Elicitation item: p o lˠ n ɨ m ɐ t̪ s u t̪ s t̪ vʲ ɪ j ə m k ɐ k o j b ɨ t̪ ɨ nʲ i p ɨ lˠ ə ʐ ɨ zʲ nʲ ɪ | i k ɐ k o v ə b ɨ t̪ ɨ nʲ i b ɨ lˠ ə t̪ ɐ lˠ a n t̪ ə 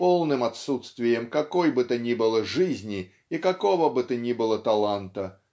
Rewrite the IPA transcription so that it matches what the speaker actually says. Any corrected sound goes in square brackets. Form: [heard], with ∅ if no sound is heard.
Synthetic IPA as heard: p o lˠ n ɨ m ɐ t̪ s u t̪ s t̪ vʲ ɪ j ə m k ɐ k o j b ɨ t̪ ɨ nʲ i [b] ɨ lˠ ə ʐ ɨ zʲ nʲ ɪ | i k ɐ k o v ə b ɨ t̪ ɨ nʲ i b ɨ lˠ ə t̪ ɐ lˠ a n t̪ ə